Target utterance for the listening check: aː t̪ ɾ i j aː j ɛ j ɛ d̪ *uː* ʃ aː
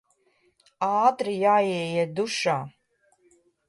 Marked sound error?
yes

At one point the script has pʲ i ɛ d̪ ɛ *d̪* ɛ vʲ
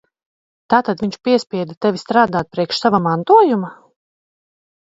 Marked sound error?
yes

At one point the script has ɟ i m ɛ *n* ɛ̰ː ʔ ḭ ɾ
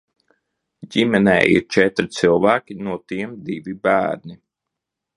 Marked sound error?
no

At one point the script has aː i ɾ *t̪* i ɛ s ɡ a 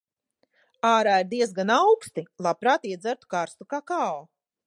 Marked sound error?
yes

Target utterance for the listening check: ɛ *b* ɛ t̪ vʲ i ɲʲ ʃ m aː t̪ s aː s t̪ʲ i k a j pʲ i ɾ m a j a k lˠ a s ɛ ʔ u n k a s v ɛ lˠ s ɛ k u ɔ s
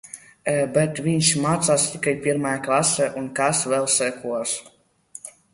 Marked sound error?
no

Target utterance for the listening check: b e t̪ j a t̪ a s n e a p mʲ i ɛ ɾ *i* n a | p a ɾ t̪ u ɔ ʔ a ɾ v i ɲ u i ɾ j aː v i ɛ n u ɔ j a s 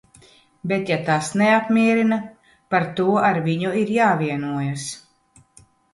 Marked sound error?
no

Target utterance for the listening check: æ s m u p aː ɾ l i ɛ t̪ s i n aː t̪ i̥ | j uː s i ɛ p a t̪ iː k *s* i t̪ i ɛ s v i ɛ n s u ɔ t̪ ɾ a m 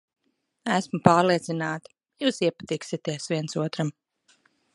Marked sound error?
no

